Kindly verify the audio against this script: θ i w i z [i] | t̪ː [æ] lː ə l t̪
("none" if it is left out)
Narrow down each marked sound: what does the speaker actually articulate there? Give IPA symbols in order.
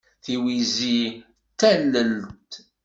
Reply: i, æ

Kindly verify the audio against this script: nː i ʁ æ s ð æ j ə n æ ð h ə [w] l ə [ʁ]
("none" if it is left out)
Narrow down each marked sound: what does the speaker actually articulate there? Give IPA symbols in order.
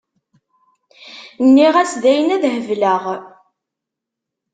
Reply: v, ʁ

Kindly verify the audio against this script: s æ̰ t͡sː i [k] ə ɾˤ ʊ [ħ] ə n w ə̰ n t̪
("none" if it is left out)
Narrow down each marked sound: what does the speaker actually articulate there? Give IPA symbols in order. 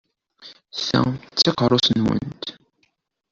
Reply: q, s

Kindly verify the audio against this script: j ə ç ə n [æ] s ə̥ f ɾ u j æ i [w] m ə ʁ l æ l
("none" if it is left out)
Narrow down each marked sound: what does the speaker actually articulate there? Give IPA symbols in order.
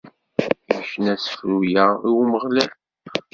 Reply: æ, w

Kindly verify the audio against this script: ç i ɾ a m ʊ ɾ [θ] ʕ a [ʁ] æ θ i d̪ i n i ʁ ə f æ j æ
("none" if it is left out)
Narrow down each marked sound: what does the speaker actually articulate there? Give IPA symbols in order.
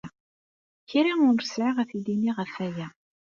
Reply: s, ʁ

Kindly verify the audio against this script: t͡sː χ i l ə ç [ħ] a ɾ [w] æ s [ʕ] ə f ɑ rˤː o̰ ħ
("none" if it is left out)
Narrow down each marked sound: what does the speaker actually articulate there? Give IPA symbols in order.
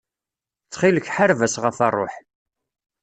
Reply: ħ, v, ʁ

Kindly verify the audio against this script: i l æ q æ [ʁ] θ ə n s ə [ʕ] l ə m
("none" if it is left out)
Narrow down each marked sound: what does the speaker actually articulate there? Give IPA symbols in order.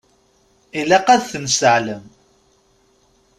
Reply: ð, ʕ

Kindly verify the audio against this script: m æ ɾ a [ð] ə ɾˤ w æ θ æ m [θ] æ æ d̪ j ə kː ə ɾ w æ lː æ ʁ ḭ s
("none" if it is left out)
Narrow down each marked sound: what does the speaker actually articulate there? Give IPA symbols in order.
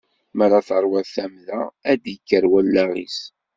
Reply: θ, ð

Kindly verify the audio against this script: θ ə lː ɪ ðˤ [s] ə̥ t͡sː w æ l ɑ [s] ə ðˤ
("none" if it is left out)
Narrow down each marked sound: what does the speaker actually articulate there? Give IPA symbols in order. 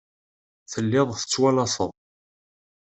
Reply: θ, s

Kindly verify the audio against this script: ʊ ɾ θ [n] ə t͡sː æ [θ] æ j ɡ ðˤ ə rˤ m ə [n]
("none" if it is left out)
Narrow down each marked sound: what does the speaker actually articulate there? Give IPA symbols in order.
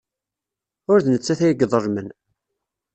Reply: n, θ, n

